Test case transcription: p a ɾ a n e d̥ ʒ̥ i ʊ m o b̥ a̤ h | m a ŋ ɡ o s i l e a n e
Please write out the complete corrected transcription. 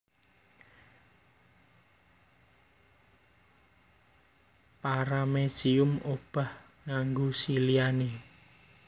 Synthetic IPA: p a ɾ a m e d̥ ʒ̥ i ʊ m o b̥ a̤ h | ŋ a ŋ ɡ o s i l i a n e